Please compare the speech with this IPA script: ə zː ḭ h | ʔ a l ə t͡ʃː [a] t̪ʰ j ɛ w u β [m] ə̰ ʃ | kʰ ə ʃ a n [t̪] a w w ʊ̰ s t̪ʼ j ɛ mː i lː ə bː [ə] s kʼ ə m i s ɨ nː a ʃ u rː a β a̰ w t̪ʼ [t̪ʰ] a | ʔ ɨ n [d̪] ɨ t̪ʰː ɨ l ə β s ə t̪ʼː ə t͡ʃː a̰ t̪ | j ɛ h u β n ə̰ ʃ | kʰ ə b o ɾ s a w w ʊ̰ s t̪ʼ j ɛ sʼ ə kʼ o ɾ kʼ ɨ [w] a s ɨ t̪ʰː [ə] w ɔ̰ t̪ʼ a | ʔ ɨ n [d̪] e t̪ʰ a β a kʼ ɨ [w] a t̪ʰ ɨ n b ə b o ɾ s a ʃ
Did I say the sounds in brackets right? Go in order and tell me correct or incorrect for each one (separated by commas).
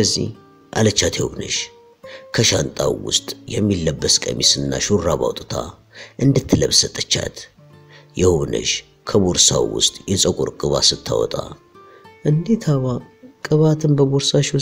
correct, incorrect, incorrect, correct, correct, correct, incorrect, incorrect, correct, incorrect